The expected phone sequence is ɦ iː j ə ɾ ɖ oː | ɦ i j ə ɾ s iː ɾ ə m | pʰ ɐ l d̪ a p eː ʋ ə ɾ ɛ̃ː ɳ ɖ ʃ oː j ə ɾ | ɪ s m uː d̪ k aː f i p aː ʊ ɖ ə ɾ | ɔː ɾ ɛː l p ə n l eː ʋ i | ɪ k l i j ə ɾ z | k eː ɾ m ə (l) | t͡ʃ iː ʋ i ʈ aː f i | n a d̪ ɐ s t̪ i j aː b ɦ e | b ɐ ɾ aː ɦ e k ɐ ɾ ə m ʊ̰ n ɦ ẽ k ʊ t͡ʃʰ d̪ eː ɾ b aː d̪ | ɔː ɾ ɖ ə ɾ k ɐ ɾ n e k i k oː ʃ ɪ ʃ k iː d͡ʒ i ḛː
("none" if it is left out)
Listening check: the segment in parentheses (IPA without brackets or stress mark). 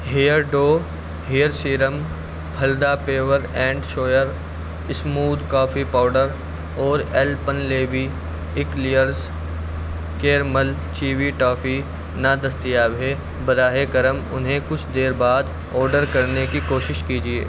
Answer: l